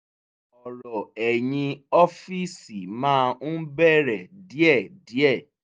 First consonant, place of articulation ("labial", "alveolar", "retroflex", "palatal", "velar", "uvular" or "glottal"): alveolar